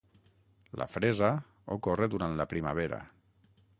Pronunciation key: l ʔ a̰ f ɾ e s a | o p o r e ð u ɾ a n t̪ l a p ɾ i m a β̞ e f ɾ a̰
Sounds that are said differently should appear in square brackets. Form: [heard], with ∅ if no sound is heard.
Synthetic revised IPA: l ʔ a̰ f ɾ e [z] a | o [k] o r e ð u ɾ a n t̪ l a p ɾ i m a β̞ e [∅] ɾ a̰